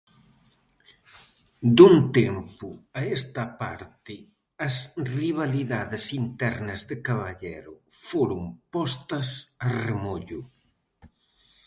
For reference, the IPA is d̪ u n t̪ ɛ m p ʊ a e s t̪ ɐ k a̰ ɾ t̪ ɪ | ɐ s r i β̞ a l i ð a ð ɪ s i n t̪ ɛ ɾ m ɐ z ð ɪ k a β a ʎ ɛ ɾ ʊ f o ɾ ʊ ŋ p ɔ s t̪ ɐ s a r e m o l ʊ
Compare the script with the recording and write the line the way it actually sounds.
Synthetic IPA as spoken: d̪ u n t̪ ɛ m p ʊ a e s t̪ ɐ p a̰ ɾ t̪ ɪ | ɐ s r i β̞ a l i ð a ð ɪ s i n t̪ ɛ ɾ n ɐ z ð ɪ k a β a ʎ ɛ ɾ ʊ f o ɾ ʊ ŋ p ɔ s t̪ ɐ s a r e m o ʎ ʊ